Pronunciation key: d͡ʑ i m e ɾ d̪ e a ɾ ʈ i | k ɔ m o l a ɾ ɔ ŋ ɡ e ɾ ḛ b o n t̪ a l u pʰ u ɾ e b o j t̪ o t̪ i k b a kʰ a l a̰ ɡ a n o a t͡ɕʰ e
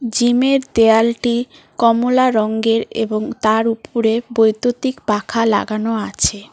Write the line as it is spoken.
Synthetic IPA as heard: d͡ʑ i m e ɾ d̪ e a l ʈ i | k ɔ m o l a ɾ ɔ ŋ ɡ e ɾ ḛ b o ŋ t̪ a ɾ u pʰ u ɾ e b o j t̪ o t̪ i k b a kʰ a l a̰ ɡ a n o a t͡ɕʰ e